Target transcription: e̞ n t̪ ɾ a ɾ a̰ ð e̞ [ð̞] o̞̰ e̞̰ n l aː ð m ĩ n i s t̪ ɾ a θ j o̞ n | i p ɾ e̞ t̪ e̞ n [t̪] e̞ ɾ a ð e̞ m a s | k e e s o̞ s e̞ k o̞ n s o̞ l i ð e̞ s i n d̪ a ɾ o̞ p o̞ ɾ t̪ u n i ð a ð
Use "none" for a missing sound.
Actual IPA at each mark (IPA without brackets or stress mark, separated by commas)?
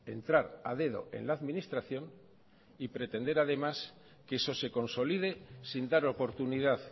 ð̞, d̪